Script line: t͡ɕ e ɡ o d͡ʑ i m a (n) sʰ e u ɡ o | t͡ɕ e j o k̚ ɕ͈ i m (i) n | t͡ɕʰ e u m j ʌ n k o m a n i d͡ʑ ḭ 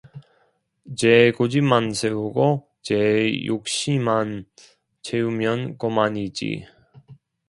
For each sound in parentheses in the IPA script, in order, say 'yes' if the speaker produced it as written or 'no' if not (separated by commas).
yes, no